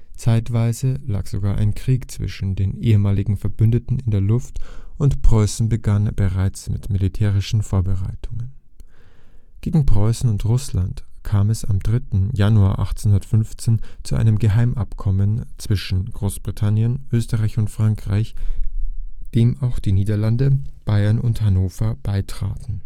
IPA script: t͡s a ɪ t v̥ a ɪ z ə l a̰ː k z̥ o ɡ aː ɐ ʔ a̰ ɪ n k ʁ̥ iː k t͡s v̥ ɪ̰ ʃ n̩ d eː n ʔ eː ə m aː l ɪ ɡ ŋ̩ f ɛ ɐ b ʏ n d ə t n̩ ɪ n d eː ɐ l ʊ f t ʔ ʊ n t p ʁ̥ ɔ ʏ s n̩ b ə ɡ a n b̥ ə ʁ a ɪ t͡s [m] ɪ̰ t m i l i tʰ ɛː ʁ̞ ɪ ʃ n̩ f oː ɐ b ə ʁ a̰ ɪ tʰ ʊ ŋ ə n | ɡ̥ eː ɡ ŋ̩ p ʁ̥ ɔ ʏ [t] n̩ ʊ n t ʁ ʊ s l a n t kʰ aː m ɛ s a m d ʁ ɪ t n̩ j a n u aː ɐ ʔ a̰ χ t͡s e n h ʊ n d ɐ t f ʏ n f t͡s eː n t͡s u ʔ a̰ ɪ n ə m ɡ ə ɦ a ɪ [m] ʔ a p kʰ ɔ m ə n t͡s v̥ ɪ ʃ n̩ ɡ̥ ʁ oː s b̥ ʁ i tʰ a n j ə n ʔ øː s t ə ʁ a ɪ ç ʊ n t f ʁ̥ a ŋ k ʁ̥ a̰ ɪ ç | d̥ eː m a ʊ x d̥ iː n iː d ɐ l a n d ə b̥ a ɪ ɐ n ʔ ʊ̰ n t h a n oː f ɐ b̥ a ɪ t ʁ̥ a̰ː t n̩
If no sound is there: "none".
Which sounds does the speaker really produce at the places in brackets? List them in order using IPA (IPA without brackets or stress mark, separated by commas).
m, s, m